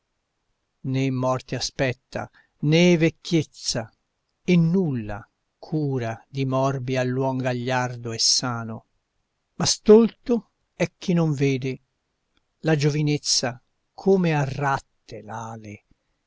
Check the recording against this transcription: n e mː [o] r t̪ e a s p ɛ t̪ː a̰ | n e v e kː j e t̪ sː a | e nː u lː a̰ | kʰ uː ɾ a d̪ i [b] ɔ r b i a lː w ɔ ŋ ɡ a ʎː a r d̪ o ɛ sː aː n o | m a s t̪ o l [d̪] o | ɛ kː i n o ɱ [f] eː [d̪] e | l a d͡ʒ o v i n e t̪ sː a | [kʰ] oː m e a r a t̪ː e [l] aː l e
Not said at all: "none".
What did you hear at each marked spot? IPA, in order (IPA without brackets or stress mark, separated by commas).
ɔ, m, t̪, v, d̪, kʰ, l